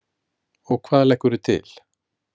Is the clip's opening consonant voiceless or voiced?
voiced